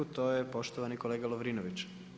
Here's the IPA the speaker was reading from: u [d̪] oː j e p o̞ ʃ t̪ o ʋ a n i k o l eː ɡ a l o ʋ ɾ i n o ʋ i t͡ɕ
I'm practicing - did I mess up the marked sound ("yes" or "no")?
yes